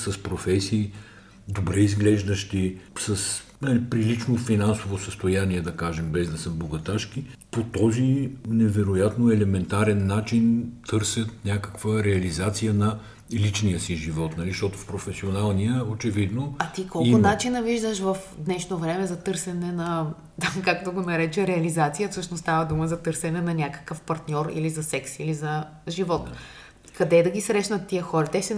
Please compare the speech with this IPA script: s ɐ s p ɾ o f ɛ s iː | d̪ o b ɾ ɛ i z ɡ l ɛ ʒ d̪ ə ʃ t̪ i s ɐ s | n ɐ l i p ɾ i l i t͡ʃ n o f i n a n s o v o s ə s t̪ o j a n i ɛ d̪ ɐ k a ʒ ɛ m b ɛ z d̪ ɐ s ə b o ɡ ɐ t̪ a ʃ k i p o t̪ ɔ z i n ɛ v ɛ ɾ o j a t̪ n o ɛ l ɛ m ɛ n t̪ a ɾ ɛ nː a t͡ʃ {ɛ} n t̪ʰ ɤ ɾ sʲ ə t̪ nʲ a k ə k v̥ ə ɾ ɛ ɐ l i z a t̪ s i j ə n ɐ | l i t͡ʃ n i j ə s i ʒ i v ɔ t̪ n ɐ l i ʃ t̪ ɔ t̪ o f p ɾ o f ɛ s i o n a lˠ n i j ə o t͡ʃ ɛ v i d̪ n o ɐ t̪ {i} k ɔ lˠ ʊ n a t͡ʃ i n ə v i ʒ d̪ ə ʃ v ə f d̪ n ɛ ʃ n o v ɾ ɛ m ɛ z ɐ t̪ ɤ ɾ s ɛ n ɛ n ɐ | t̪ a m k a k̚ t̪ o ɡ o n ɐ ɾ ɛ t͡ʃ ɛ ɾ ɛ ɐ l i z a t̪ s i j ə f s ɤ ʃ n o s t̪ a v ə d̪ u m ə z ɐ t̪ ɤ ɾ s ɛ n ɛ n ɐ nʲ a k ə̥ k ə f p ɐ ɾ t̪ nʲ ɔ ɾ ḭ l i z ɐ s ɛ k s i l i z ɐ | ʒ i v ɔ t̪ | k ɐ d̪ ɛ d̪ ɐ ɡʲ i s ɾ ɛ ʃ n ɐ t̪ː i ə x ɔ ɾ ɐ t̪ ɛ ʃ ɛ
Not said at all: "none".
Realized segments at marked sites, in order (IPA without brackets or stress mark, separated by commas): i, i